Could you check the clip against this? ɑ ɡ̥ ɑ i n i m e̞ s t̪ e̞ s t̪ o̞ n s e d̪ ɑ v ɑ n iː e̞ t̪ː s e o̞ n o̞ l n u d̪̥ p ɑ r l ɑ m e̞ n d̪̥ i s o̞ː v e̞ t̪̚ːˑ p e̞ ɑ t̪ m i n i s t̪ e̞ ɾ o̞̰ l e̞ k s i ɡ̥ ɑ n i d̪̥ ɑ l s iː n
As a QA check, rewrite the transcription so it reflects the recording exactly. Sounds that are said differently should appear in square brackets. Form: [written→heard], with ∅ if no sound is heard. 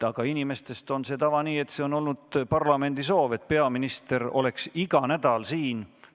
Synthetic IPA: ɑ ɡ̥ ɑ i n i m e̞ s t̪ e̞ s t̪ o̞ n s e [d̪→t̪] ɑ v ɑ n iː e̞ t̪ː s e o̞ n o̞ l n u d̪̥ p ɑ r l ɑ m e̞ n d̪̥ i s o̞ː v e̞ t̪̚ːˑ p e̞ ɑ [t̪→∅] m i n i s t̪ e̞ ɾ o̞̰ l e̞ k s i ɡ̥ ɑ n [i→æ] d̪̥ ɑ l s iː n

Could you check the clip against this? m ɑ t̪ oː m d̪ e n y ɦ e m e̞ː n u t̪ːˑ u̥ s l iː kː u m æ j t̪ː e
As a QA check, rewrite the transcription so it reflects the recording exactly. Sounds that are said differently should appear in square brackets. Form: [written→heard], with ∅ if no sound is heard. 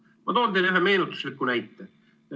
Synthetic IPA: m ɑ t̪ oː [m→n] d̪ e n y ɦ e m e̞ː n u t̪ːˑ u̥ s l [iː→i] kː u [m→n] æ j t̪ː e

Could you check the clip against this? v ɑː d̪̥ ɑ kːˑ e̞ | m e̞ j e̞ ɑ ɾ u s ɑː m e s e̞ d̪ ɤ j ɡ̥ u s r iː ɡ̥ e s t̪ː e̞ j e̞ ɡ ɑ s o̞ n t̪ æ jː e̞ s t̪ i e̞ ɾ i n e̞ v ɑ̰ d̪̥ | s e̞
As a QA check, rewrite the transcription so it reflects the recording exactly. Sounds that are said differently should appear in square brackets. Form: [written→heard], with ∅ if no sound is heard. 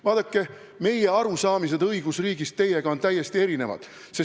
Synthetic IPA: v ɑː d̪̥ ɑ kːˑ e̞ | m e̞ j e̞ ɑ ɾ u s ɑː m [e→i] s e̞ d̪ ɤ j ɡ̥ u s r iː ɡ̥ [e→i] s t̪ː e̞ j e̞ ɡ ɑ [s→∅] o̞ n t̪ æ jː e̞ s t̪ i e̞ ɾ i n e̞ v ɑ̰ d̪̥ | s e̞

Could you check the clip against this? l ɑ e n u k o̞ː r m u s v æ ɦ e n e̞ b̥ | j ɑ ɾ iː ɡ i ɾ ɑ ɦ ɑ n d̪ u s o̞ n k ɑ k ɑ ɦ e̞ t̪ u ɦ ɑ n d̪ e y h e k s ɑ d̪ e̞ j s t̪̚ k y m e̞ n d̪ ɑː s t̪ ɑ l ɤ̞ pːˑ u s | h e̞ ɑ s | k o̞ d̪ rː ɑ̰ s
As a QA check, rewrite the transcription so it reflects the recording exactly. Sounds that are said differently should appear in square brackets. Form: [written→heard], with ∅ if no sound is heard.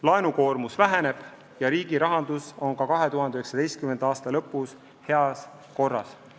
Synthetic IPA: l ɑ e n u k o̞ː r m u s v æ ɦ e n e̞ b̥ | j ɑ ɾ iː ɡ i ɾ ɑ ɦ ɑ n d̪ u s o̞ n k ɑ k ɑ ɦ e̞ t̪ u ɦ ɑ n d̪ e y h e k s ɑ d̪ e̞ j s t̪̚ k y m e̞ n d̪ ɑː s t̪ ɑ l ɤ̞ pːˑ u s | h e̞ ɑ s | k o̞ [d̪→∅] rː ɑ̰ s

